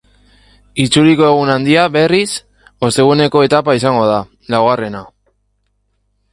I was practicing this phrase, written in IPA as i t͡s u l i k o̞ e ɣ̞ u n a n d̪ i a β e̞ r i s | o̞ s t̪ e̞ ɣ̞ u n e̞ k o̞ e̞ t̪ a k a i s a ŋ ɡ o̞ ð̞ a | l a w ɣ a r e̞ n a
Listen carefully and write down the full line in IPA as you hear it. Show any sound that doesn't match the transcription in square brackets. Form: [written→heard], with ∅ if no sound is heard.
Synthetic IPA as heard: i t͡s u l i k o̞ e ɣ̞ u n a n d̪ i a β e̞ r i s | o̞ s t̪ e̞ ɣ̞ u n e̞ k o̞ e̞ t̪ a [k→p] a i s a ŋ ɡ o̞ ð̞ a | l a w ɣ a r e̞ n a